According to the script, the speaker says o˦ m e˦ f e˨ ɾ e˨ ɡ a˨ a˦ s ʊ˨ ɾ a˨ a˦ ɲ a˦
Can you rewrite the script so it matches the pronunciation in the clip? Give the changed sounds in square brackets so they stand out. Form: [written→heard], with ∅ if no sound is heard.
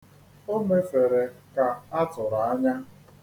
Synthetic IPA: o˦ m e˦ f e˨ ɾ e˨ [ɡ→k] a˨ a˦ [s→t] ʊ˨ ɾ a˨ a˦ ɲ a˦